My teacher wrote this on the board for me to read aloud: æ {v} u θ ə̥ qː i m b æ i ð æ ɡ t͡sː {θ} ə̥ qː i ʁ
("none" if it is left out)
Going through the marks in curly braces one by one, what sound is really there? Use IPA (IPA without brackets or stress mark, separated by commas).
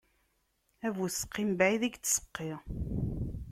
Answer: v, s